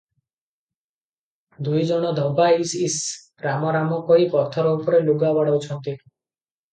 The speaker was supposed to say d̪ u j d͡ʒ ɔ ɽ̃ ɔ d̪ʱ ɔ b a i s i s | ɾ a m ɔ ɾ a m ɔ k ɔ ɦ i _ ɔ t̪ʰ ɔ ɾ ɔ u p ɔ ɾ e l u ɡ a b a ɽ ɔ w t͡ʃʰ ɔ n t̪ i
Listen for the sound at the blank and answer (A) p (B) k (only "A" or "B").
A